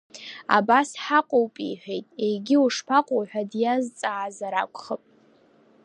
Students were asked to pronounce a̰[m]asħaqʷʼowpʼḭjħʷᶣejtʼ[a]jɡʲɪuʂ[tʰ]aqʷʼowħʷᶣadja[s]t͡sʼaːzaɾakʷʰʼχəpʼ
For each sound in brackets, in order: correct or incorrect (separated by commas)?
incorrect, incorrect, incorrect, incorrect